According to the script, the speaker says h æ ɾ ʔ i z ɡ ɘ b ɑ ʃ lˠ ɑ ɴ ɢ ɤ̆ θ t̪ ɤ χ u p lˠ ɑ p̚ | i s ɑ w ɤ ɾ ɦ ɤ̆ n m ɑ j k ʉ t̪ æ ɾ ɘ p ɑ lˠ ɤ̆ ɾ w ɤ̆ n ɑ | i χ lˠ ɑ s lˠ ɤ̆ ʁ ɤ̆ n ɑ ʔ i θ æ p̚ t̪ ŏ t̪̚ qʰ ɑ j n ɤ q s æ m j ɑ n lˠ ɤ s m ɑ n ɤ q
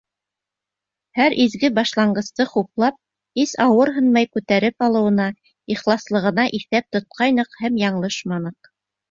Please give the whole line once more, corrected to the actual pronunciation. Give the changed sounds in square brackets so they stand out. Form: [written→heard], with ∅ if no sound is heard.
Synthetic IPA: h æ ɾ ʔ i z ɡ ɘ b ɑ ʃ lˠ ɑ ɴ ɢ ɤ̆ [θ→s] t̪ ɤ χ u p lˠ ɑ p̚ | i s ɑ w ɤ ɾ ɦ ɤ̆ n m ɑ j k ʉ t̪ æ ɾ ɘ p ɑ lˠ ɤ̆ [ɾ→∅] w ɤ̆ n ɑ | i χ lˠ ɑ s lˠ ɤ̆ ʁ ɤ̆ n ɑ ʔ i θ æ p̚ t̪ ŏ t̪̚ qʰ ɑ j n ɤ q [s→h] æ m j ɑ [n→ɴ] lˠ ɤ [s→ʃ] m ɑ n ɤ q